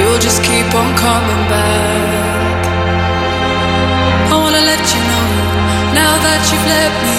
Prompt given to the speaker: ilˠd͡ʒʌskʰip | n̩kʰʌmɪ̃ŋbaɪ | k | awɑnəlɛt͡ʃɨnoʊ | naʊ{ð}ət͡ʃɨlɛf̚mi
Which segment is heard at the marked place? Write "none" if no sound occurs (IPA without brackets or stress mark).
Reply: ð